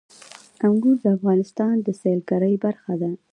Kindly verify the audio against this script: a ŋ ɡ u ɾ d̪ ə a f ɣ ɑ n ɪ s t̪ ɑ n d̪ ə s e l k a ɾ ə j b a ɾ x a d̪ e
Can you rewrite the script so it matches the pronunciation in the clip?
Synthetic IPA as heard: a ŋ ɡ u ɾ d̪ ə a f ɣ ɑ n ɪ s t̪ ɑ n d̪ ə s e l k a ɾ ə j b a ɾ x a d̪ a

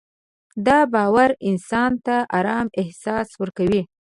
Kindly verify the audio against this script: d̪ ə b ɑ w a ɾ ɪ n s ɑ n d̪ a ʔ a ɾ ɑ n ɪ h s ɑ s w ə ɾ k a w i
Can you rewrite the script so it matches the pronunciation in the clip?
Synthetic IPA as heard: d̪ ɑ b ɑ w a ɾ ɪ n s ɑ n t̪ a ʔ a ɾ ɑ m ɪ h s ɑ s w ə ɾ k a w i

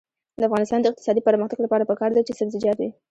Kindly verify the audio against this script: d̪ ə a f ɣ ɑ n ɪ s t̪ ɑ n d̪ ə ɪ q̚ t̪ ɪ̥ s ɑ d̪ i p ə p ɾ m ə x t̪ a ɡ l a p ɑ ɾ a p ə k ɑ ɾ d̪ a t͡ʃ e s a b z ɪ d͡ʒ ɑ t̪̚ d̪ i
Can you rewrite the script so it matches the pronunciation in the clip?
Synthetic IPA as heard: d̪ ə a f ɣ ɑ n ɪ s t̪ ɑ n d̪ ə ɪ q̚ t̪ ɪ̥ s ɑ d̪ i p ə ɾ m ə x t̪ a ɡ l a p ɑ ɾ a p ə k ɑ ɾ d̪ a t͡ʃ e s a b z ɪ d͡ʒ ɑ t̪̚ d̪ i

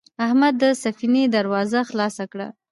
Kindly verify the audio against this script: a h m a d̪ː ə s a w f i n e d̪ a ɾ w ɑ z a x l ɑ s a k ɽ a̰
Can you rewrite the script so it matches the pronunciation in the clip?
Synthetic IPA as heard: a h m a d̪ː ə s a f i n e d̪ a ɾ w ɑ z a x l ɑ s a k ɽ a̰

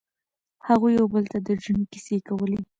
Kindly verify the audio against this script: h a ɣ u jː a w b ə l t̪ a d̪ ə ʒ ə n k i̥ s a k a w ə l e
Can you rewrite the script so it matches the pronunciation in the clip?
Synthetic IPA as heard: h a ɣ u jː a w b ə l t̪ a d̪ ə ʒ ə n k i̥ s e k a w ə l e

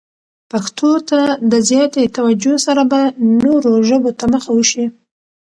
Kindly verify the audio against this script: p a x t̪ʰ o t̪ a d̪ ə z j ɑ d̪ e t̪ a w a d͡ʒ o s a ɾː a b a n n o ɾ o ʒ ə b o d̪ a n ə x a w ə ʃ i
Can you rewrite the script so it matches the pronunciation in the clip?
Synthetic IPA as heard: p a x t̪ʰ o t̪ a d̪ ə z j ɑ t̪ e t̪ a w a d͡ʒ o s a ɾ a b a n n o ɾ o ʒ ə b o t̪ a m ə x a w ə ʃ i

